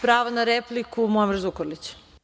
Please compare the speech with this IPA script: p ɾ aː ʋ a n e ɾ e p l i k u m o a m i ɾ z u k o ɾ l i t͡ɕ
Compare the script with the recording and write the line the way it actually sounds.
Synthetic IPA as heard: p ɾ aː ʋ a n a ɾ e p l i k u m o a m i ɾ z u k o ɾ l i t͡ɕ